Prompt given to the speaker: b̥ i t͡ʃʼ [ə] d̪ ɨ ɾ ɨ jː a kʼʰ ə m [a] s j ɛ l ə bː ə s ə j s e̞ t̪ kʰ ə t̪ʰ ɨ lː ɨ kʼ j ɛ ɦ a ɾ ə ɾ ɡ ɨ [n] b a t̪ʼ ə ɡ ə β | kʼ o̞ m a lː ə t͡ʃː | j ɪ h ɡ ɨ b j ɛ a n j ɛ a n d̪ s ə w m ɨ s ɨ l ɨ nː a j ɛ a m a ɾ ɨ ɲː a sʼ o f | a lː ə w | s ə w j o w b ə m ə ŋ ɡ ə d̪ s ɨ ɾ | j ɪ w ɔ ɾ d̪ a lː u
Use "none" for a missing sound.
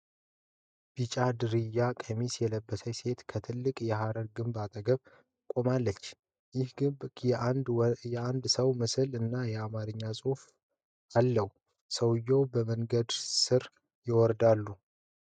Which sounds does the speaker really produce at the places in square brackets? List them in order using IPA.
a, i, m

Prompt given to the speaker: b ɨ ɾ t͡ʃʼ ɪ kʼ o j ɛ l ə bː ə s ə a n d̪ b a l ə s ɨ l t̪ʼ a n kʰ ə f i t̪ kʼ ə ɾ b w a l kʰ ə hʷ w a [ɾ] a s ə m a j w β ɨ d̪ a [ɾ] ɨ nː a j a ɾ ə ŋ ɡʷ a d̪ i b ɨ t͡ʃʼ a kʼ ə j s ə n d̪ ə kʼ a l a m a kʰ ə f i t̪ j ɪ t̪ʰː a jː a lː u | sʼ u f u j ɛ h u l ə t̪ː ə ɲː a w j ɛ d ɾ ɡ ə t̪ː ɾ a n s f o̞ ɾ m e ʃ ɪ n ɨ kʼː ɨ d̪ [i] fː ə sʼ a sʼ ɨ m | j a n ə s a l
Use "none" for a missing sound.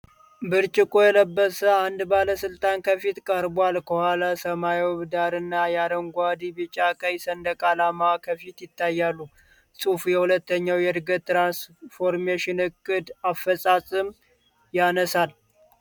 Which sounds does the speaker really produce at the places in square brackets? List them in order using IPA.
l, ɾ, a

